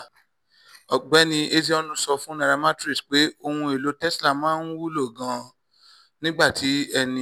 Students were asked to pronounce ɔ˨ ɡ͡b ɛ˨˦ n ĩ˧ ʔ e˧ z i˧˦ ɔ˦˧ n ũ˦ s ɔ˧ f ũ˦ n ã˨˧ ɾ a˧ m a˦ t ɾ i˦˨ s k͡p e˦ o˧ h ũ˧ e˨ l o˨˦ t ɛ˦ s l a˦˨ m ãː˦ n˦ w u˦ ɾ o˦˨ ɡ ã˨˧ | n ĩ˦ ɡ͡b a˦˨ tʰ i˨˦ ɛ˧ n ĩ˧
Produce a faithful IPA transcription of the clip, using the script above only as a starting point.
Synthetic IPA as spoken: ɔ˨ ɡ͡b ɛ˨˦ n ĩ˧ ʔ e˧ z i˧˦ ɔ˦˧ n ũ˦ s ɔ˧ f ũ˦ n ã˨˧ ɾ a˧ m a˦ t ɾ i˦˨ s k͡p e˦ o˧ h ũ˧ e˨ l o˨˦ t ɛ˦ s l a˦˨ m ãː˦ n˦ w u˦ l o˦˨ ɡ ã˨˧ | n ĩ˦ ɡ͡b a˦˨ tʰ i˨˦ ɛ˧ n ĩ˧

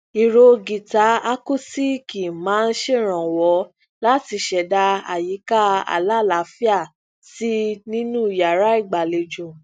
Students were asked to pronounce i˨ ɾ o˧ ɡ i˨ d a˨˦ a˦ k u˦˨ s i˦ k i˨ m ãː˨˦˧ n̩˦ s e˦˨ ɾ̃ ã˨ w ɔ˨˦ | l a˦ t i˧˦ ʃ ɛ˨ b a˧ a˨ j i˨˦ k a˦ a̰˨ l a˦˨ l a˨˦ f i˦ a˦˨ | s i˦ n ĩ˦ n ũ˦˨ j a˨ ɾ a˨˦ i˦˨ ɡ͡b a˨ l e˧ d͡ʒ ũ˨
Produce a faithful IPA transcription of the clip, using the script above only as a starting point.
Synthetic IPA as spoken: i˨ ɾ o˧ ɡ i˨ t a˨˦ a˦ k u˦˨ s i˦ k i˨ m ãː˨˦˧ n̩˦ ʃ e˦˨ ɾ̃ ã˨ w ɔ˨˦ | l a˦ t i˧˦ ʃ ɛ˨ d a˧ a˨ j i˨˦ k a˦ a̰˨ l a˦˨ l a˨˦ f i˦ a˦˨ | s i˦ n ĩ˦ n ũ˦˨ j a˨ ɾ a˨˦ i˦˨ ɡ͡b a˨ l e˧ d͡ʒ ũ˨

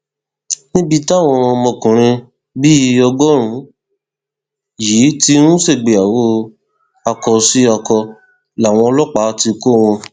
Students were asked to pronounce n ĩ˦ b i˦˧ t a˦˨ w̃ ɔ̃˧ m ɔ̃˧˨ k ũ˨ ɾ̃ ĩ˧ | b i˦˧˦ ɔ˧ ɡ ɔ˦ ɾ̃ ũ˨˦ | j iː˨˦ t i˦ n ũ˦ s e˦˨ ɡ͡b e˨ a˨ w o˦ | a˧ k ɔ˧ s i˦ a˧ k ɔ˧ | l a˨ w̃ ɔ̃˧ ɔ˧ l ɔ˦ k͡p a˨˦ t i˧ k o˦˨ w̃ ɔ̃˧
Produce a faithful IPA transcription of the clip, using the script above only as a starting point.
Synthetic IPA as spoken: n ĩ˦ b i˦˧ t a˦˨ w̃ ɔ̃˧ m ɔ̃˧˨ k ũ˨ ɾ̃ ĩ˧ | b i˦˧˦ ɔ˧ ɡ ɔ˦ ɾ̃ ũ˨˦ | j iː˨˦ t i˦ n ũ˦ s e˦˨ ɡ͡b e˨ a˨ w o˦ | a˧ k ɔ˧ s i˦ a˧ k ɔ˧ | l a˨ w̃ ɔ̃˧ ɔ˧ l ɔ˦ k͡p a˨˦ t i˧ k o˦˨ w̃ ɔ̃˧

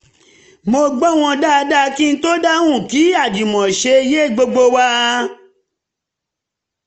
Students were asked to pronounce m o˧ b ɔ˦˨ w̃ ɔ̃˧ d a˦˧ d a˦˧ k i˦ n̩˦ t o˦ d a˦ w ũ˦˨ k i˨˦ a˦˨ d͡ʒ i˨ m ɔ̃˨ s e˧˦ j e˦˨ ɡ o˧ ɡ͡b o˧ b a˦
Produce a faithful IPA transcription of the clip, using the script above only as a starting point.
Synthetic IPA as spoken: m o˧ ɡ͡b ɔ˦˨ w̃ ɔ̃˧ d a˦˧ d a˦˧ k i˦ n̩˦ t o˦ d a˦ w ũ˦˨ k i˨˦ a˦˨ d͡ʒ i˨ m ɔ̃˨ ʃ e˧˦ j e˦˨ ɡ͡b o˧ ɡ͡b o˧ w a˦

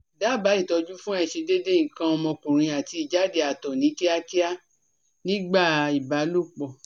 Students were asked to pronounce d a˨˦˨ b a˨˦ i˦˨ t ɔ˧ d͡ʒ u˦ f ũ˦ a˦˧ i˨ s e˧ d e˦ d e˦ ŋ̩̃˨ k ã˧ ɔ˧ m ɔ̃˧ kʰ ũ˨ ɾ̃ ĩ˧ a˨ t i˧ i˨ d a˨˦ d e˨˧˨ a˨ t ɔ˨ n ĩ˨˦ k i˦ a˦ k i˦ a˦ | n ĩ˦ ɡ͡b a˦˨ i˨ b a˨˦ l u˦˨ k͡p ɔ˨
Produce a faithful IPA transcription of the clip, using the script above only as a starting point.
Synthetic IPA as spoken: d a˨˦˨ b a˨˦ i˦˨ t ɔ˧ d͡ʒ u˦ f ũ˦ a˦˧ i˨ ʃ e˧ d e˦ d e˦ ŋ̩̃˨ k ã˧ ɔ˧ m ɔ̃˧ k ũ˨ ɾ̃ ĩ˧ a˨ t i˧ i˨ d͡ʒ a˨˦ d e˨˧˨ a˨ t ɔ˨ n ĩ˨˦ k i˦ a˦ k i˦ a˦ | n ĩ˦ ɡ͡b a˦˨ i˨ b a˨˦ l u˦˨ k͡p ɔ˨

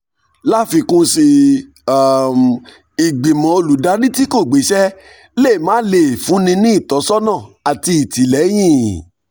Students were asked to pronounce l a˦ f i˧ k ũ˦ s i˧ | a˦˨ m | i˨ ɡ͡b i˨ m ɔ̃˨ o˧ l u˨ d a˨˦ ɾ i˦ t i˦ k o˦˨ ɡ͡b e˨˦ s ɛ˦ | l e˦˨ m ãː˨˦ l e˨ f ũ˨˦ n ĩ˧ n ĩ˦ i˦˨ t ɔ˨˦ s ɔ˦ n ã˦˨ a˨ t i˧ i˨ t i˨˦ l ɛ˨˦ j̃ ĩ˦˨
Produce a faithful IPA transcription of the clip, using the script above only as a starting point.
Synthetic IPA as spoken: l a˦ f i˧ k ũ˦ s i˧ | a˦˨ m | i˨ ɡ͡b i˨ m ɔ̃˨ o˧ l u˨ d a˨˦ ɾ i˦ t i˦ k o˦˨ ɡ͡b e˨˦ ʃ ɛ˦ | l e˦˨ m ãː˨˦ l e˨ f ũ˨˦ n ĩ˧ n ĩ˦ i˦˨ t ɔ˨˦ s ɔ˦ n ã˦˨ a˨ t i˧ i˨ t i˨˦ l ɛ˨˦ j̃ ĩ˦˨

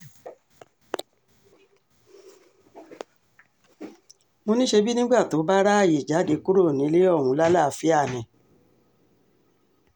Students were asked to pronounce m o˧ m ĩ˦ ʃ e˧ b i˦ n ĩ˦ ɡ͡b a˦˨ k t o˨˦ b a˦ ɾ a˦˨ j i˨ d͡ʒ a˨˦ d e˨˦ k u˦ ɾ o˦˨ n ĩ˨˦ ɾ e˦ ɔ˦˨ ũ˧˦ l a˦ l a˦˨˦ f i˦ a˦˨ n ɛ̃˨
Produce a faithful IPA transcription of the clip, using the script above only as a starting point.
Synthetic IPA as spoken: m o˧ n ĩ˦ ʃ e˧ b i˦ n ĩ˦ ɡ͡b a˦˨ t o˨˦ b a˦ ɾ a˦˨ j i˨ d͡ʒ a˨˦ d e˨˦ k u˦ ɾ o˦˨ n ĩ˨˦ l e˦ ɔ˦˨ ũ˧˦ l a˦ l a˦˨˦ f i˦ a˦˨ n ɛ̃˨

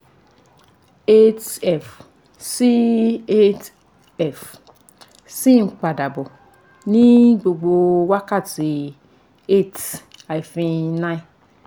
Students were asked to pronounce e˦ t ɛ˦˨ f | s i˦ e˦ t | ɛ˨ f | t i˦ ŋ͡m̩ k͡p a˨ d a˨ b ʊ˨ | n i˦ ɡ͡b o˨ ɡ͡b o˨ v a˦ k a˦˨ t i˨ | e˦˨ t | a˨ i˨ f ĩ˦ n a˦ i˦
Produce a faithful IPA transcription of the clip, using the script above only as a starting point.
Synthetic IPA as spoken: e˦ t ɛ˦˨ f | s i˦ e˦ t | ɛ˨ f | s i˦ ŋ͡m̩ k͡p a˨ d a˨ b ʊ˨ | n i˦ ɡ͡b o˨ ɡ͡b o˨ w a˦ k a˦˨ t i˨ | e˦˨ t | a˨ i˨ f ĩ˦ n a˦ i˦

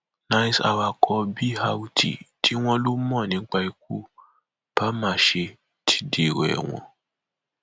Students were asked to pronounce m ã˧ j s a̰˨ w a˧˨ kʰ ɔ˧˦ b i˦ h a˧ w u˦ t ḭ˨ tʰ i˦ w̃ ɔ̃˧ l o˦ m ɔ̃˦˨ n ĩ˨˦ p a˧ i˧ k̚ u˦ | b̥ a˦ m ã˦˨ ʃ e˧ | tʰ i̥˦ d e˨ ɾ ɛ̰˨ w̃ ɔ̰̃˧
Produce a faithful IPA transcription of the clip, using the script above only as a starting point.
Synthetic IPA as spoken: n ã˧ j s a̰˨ w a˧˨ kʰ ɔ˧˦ b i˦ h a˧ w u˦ t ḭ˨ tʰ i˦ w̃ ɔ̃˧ l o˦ m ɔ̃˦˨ n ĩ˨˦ k͡p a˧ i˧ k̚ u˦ | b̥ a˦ m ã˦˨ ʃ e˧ | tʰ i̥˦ d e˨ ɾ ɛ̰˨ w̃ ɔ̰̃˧

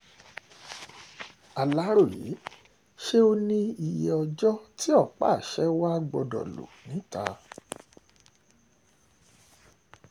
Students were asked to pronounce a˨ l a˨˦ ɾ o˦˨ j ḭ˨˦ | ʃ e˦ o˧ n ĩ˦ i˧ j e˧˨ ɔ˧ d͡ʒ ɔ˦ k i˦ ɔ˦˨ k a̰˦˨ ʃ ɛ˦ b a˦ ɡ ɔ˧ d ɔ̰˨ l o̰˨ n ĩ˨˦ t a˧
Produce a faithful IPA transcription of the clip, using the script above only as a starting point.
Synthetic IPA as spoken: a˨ l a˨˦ ɾ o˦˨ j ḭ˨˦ | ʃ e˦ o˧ n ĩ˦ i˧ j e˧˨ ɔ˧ d͡ʒ ɔ˦ t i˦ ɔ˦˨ k͡p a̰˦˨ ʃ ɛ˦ w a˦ ɡ͡b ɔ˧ d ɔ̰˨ l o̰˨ n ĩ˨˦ t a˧

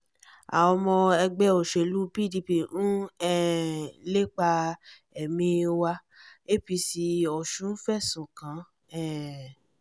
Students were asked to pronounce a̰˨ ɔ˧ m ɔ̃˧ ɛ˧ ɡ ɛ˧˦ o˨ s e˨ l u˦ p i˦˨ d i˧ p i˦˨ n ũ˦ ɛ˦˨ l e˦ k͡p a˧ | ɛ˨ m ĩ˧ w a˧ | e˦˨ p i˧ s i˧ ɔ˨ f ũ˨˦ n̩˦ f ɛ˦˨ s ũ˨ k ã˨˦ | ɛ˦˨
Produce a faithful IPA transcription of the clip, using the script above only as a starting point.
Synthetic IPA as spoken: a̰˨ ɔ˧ m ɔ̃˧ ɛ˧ ɡ͡b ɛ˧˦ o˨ ʃ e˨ l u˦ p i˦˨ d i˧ p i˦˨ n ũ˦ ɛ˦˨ l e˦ k͡p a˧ | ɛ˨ m ĩ˧ w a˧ | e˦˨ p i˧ s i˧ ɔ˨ ʃ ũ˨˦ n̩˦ f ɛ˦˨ s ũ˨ k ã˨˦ | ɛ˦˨

